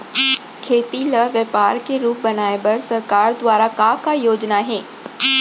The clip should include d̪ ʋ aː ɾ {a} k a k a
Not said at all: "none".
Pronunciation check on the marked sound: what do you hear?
a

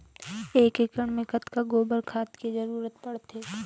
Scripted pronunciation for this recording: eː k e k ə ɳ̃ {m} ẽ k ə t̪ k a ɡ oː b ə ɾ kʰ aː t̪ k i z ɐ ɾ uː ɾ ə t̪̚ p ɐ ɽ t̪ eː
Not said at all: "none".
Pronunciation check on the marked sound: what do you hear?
m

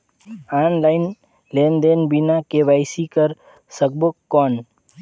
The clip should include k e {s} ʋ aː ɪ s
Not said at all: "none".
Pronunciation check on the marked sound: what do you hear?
none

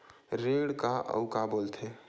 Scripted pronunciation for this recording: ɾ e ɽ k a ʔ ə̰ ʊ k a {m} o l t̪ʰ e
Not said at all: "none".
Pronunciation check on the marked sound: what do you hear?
b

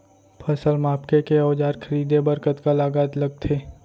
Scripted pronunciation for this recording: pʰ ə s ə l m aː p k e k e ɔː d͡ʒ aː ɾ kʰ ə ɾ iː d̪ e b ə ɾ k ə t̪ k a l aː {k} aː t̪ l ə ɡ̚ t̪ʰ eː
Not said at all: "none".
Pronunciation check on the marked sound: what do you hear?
ɡ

